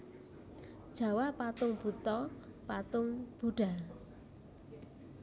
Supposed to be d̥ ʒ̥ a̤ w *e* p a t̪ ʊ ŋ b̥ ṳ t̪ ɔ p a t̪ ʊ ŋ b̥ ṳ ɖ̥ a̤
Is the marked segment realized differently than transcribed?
yes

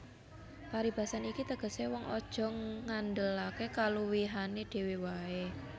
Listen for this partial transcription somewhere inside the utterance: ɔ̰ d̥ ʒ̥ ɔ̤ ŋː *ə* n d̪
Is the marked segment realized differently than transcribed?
yes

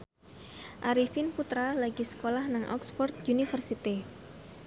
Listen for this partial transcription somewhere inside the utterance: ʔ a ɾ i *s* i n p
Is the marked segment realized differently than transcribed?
yes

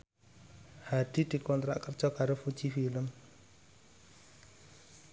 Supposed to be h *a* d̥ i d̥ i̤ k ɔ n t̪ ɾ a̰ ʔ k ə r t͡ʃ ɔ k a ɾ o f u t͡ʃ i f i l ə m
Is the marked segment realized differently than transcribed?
no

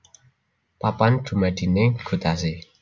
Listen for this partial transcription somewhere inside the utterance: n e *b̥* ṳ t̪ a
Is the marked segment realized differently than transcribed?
yes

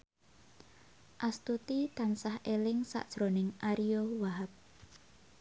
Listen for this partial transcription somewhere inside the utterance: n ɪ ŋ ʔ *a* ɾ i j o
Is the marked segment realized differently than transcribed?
no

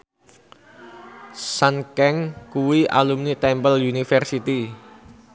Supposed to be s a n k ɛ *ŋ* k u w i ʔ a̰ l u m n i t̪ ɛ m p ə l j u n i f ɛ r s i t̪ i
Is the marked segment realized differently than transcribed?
no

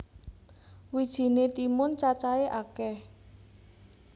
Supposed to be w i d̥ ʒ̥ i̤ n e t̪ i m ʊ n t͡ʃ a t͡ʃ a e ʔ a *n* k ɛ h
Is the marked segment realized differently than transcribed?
yes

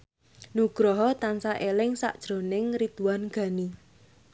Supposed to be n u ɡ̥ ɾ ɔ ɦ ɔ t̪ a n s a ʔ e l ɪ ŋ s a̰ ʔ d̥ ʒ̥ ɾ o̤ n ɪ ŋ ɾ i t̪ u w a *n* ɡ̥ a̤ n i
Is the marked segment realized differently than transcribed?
no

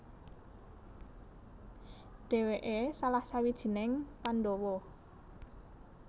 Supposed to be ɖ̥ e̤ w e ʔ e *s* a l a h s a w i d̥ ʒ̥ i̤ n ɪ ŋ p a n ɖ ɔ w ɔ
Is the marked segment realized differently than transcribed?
no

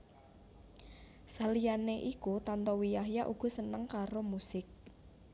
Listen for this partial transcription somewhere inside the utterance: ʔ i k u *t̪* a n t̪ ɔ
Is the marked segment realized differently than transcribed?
no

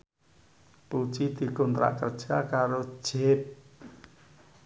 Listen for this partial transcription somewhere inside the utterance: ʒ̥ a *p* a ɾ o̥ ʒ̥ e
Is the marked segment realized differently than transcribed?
yes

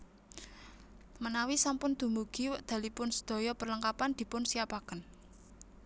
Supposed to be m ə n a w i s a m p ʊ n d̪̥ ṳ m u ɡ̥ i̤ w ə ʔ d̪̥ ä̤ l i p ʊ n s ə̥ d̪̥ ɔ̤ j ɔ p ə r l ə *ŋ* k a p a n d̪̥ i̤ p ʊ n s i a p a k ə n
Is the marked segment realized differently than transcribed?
no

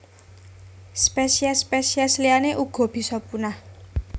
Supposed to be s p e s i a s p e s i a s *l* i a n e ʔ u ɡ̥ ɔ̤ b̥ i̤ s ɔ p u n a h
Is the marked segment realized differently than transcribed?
no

